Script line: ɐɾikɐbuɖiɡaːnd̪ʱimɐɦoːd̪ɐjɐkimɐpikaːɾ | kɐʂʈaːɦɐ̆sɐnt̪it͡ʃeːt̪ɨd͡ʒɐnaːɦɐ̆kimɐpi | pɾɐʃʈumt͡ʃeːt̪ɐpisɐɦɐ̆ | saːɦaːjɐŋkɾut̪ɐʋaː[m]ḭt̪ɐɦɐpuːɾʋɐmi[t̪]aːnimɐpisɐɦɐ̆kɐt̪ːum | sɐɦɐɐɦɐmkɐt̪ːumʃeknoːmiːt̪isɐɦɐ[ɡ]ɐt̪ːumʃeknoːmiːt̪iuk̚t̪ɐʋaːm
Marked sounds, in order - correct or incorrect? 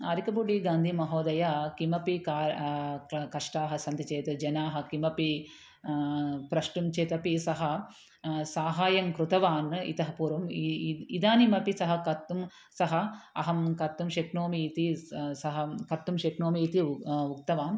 incorrect, incorrect, incorrect

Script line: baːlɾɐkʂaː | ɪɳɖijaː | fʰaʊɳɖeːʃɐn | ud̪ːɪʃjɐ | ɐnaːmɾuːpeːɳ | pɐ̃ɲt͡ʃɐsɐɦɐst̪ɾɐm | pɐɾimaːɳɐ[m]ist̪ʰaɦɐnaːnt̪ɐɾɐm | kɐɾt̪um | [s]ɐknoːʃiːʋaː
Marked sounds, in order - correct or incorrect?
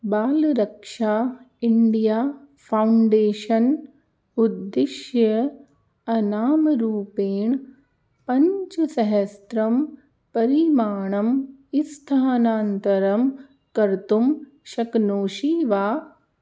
correct, incorrect

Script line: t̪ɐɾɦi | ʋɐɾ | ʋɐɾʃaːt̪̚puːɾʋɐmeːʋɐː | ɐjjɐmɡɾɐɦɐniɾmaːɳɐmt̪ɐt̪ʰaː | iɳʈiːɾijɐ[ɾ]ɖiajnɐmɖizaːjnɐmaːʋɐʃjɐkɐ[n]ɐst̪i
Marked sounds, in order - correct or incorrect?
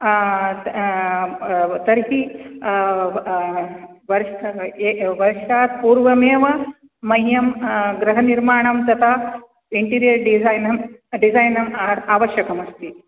correct, incorrect

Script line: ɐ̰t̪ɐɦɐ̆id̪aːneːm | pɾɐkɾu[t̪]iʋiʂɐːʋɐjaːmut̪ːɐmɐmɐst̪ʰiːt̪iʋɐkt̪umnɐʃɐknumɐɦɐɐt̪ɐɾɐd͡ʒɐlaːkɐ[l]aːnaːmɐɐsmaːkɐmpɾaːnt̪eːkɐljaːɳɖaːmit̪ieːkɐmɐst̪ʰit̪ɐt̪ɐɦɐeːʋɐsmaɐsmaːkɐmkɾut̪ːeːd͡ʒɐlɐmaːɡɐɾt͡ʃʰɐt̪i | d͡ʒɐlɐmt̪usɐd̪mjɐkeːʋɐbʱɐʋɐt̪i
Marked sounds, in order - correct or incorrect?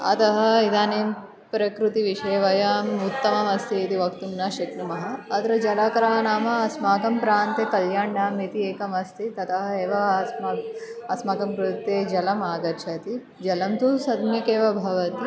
correct, incorrect

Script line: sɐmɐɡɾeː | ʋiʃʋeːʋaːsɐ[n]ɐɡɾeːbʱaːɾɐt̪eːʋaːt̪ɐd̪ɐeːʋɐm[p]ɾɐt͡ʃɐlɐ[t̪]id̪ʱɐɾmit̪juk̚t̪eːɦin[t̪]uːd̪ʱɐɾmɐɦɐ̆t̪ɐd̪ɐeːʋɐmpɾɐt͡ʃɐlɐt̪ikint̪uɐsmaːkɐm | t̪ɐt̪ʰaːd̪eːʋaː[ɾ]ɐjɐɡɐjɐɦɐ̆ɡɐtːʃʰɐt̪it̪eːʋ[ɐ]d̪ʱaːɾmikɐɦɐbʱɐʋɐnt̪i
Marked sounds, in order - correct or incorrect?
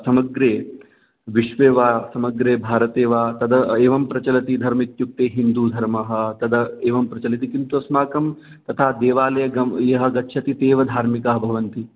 incorrect, correct, correct, incorrect, incorrect, correct

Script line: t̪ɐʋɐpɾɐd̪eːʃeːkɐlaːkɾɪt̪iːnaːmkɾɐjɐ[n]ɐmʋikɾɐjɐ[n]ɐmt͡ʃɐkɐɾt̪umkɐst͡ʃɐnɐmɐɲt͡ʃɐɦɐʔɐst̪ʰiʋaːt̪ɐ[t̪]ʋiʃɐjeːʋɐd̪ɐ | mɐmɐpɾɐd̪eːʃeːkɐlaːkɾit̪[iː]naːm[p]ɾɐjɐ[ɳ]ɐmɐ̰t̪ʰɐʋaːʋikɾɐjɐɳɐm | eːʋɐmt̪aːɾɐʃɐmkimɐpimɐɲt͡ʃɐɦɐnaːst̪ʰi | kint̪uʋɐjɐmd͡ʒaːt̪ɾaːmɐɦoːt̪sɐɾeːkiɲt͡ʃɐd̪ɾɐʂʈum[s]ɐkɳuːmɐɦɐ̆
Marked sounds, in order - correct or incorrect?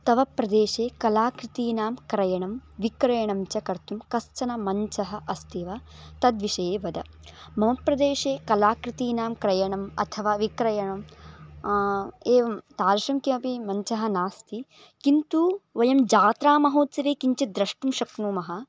incorrect, incorrect, incorrect, correct, incorrect, correct, incorrect

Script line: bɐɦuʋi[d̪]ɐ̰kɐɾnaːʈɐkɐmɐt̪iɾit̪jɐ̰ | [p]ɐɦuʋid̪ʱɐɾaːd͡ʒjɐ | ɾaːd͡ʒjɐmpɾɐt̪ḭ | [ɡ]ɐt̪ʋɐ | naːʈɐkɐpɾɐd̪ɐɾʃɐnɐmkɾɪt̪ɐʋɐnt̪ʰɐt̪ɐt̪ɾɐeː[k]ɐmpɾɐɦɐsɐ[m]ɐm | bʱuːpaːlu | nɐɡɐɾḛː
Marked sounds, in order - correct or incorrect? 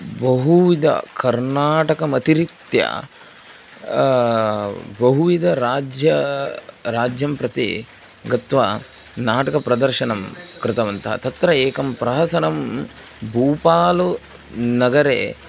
correct, incorrect, correct, correct, incorrect

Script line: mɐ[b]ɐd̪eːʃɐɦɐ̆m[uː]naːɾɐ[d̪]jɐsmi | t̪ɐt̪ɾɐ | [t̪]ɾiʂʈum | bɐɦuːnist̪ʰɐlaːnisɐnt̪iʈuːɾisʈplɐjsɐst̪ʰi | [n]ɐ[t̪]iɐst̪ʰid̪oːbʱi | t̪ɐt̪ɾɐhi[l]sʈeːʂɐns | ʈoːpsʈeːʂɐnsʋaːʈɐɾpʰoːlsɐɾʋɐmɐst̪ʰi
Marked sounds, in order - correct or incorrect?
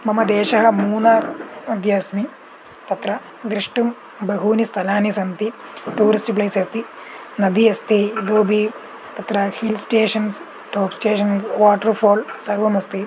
incorrect, correct, correct, incorrect, correct, incorrect, correct

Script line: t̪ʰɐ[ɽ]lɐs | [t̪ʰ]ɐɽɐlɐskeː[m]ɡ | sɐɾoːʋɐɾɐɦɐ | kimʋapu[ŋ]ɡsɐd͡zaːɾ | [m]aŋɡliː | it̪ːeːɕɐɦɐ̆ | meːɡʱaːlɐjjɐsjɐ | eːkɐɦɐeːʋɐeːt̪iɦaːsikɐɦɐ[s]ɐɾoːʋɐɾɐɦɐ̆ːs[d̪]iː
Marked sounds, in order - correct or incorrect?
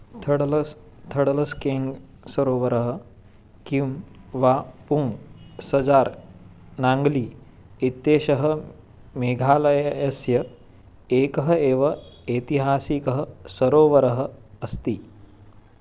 correct, correct, incorrect, correct, incorrect, correct, incorrect

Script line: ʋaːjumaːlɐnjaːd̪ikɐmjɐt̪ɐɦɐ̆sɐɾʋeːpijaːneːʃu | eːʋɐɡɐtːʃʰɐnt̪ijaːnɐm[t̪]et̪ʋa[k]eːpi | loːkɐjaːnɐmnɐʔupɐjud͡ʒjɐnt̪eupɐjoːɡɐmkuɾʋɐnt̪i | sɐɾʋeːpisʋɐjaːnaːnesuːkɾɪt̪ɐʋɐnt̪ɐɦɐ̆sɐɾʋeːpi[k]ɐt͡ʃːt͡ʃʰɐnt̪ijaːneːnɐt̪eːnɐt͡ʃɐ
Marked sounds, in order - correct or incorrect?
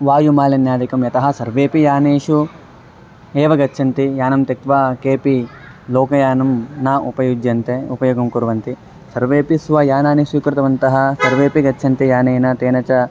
correct, correct, incorrect

